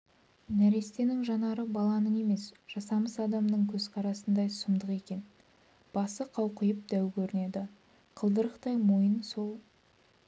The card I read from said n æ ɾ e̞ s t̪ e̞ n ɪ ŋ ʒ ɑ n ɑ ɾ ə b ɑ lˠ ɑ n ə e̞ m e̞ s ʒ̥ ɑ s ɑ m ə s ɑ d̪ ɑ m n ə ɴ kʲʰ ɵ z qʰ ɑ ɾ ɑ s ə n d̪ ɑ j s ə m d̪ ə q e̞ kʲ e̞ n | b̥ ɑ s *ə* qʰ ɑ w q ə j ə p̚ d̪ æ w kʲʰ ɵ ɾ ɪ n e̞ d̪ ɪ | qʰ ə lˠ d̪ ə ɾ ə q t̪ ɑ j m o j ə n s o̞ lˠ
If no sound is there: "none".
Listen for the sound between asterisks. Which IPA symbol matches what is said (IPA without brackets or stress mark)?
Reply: ə